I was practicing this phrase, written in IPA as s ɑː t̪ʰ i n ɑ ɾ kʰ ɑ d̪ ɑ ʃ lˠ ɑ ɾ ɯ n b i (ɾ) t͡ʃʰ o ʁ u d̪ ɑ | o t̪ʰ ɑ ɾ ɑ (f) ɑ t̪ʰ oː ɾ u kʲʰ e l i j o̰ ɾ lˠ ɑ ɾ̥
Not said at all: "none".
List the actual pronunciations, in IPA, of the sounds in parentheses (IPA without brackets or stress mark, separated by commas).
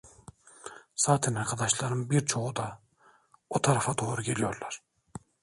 ɾ, f